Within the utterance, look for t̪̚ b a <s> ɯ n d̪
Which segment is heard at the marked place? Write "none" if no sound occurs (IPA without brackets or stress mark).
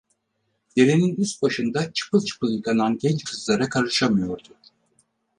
ʃ